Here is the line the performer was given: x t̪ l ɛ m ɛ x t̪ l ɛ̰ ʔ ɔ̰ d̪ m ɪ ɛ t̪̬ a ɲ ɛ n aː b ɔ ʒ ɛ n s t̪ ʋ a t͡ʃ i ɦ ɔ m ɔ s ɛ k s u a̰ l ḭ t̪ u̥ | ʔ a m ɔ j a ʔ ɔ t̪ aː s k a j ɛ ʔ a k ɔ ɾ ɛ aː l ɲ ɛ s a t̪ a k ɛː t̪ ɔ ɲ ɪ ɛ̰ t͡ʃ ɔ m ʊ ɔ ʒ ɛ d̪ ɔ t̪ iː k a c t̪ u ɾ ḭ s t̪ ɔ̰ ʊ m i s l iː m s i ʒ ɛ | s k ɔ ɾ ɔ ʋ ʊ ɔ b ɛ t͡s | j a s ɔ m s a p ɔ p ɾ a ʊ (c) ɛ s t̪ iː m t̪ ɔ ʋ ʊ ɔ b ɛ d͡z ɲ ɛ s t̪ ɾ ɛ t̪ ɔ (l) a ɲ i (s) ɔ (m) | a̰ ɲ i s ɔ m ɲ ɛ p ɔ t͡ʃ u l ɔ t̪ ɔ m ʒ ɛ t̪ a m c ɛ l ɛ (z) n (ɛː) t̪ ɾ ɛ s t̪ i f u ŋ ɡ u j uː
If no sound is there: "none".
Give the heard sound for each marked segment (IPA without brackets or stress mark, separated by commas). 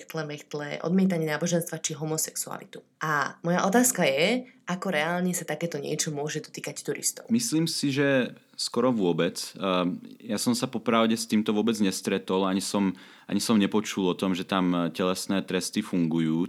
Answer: ɟ, l, s, m, s, ɛː